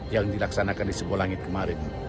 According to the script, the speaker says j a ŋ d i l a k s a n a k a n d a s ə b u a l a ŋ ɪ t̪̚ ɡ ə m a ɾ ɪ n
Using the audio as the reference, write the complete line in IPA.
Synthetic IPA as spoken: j a ŋ d i l a k s a n a k a n d i s ə b u a l a ŋ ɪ t̪̚ k ə m a ɾ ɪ n